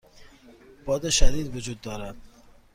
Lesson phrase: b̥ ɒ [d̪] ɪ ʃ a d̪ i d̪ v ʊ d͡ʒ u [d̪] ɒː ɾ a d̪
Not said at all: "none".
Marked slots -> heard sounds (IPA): d̪, d̪ː

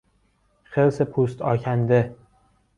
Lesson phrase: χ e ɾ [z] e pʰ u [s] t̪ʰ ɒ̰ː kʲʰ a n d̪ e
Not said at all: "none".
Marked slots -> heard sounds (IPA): s, s

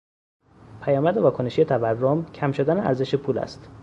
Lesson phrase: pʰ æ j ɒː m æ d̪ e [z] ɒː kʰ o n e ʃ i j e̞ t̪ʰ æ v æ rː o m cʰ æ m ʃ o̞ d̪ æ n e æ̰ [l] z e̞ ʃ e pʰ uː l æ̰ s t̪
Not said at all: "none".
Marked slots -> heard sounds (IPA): v, ɾ

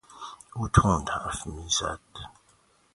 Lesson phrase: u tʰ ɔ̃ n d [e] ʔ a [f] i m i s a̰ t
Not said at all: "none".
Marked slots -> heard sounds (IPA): a, f

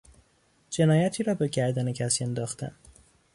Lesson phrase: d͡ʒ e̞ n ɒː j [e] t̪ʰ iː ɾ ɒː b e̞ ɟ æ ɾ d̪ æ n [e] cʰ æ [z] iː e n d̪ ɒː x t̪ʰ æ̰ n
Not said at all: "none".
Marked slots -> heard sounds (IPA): æ, e, s

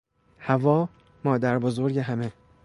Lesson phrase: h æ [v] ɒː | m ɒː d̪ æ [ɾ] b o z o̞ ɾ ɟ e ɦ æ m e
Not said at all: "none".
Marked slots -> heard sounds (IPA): v, ɾ

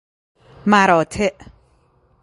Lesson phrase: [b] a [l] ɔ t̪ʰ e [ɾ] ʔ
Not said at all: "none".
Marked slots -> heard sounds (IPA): m, ɾ, none

